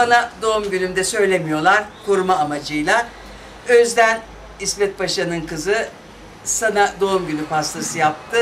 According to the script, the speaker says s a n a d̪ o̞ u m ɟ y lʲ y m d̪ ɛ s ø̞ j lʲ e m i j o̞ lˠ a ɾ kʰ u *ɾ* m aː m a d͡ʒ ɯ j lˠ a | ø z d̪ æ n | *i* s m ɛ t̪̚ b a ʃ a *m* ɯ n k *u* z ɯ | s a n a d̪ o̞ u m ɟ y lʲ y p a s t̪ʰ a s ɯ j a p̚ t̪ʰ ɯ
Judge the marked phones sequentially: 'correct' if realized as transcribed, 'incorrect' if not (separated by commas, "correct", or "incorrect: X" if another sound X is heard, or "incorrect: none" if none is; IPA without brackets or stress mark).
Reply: correct, correct, incorrect: n, incorrect: ɯ